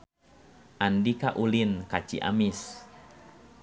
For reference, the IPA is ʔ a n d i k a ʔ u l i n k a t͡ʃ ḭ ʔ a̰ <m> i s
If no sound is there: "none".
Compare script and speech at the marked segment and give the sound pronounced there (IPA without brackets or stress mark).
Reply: m